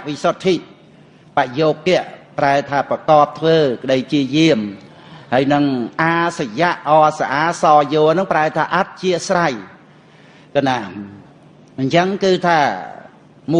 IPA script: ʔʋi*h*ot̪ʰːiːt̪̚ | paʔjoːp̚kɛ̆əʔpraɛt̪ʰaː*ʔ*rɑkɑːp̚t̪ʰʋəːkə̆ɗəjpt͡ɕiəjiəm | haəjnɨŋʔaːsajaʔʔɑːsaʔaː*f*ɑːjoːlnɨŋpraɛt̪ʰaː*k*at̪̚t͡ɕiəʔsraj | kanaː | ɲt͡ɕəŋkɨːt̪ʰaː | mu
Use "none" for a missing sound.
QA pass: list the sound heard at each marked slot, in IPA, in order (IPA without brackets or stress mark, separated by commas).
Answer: s, p, s, ʔ